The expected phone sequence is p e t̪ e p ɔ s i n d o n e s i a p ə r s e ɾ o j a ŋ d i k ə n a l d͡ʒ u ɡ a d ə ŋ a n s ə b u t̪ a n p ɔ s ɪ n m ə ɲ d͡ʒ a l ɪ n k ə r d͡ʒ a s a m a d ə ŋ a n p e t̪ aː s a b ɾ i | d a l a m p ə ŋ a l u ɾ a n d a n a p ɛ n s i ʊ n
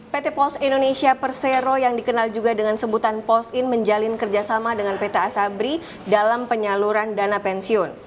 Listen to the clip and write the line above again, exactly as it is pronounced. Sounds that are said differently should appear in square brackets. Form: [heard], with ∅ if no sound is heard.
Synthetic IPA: p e t̪ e p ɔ s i n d o n e s i a p ə r s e ɾ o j a ŋ d i k ə n a l d͡ʒ u ɡ a d ə ŋ a n s ə b u t̪ a n p ɔ s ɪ n m ə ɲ d͡ʒ a l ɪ n k ə r d͡ʒ a s a m a d ə ŋ a n p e t̪ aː s a b ɾ i | d a l a m p ə [ɲ] a l u ɾ a n d a n a p ɛ n s i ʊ n